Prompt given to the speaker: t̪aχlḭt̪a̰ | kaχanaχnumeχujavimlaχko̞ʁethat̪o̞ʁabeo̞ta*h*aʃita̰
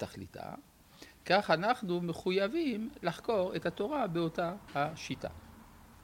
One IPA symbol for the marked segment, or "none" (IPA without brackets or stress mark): h